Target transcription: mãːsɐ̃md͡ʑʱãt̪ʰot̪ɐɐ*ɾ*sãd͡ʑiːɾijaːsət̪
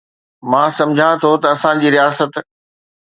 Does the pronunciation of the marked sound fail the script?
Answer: yes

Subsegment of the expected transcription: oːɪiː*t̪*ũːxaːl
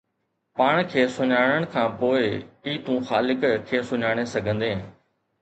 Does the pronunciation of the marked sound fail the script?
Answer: no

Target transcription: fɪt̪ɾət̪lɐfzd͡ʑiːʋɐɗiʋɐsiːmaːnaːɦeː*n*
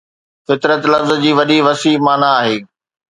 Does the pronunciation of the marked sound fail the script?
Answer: yes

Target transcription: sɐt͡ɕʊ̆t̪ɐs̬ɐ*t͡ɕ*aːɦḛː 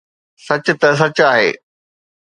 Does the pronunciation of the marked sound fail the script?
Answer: no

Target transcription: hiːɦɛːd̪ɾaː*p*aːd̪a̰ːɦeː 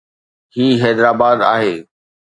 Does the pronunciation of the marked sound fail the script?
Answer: yes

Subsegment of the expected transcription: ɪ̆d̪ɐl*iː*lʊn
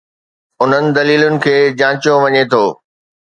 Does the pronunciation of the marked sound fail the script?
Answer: no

